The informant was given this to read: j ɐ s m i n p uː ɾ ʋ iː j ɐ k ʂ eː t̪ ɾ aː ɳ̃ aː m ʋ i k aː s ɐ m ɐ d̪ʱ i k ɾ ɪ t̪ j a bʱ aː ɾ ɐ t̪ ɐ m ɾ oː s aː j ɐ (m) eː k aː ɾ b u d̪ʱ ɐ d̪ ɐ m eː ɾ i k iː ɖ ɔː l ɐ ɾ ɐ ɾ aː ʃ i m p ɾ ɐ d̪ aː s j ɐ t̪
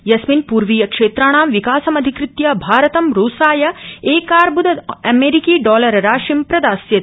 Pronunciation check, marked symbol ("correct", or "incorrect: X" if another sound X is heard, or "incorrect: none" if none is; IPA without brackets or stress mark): incorrect: none